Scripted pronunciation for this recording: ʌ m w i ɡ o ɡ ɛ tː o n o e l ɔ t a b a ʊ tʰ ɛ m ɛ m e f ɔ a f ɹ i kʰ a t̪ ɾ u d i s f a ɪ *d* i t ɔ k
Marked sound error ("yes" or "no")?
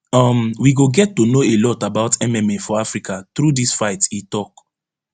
yes